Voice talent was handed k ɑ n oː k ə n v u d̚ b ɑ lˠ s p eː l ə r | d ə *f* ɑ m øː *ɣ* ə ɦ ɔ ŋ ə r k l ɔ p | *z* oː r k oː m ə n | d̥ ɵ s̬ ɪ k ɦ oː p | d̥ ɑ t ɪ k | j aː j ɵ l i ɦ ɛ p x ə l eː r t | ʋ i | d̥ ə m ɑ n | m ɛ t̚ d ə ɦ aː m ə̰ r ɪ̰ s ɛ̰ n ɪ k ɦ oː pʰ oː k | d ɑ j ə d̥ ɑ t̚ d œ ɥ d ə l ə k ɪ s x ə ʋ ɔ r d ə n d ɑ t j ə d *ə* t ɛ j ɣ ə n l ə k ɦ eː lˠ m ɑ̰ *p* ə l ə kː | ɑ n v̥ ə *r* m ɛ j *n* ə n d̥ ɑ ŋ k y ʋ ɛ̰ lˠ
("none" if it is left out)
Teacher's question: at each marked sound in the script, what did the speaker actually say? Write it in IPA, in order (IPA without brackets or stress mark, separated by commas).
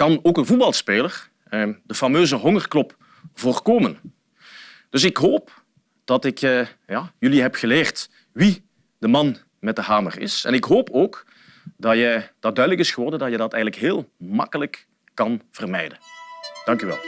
f, z, v, ɑ, k, r, d